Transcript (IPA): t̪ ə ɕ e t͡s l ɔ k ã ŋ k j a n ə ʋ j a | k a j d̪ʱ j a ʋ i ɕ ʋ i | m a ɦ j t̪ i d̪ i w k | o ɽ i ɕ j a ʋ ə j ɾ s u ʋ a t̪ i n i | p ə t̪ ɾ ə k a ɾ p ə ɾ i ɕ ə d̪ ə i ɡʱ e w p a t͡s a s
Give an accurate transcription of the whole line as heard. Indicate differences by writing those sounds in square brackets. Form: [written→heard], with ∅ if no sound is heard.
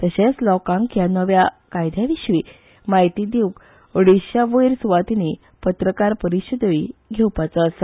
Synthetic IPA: t̪ ə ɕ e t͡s l ɔ k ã ŋ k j a n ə ʋ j a | k a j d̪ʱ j a ʋ i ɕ ʋ i | m a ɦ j t̪ i d̪ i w k | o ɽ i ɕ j a ʋ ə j ɾ s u ʋ a t̪ i n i | p ə t̪ ɾ ə k a ɾ p ə ɾ i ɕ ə d̪ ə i ɡʱ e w p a t͡s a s